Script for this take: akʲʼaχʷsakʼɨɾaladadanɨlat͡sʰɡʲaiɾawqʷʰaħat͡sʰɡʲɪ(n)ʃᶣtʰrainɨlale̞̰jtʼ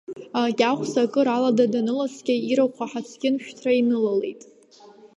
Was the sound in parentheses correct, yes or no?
yes